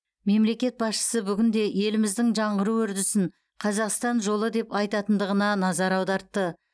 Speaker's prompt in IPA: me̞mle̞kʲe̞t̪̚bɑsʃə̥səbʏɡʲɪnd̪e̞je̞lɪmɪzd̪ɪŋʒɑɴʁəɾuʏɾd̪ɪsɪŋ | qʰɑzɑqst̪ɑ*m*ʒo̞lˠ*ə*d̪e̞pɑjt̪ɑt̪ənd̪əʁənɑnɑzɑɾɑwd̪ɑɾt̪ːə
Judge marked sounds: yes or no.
no, yes

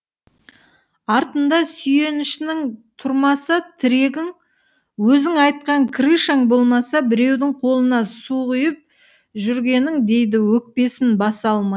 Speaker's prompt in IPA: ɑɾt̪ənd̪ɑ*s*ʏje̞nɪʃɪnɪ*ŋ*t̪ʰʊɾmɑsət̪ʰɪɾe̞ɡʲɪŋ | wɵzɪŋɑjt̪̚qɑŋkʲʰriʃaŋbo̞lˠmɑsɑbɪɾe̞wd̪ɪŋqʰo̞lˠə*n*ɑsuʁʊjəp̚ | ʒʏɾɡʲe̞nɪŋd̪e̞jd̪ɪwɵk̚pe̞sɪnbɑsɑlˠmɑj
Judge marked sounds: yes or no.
yes, yes, yes

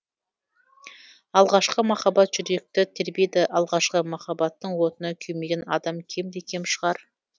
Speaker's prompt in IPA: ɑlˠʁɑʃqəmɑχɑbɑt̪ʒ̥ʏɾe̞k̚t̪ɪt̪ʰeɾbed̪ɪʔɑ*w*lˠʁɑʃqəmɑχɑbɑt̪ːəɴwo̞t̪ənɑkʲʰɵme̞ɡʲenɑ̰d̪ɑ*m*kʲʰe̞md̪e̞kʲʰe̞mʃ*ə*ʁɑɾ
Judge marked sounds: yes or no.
no, yes, yes

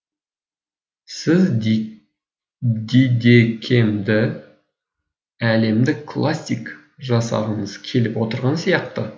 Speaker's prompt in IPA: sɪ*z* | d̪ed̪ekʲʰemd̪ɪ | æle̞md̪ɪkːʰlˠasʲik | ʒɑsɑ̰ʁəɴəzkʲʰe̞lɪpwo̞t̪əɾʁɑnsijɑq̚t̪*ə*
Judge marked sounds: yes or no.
yes, yes

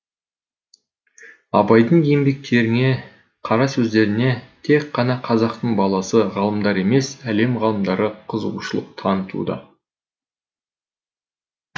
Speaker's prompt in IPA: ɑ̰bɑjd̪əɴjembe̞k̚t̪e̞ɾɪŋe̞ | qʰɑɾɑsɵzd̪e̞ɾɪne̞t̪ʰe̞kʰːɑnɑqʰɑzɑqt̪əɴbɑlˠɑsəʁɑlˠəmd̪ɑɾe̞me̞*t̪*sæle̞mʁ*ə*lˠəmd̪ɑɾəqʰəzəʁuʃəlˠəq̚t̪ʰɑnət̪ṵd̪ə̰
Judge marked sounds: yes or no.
no, no

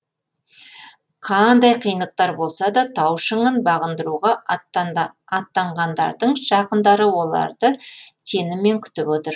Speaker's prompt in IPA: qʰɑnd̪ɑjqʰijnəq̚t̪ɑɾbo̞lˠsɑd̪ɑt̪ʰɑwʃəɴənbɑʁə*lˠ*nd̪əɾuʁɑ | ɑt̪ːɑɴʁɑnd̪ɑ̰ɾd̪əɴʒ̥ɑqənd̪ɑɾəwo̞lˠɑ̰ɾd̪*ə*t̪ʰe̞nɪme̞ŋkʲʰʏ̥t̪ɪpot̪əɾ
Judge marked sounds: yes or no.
no, yes

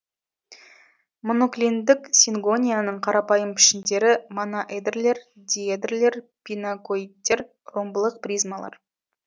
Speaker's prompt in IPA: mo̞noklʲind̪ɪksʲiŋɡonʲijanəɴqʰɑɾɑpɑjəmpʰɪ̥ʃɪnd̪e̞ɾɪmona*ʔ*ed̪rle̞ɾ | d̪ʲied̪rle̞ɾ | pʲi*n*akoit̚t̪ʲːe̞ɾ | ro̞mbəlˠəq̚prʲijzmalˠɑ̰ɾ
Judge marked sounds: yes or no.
yes, yes

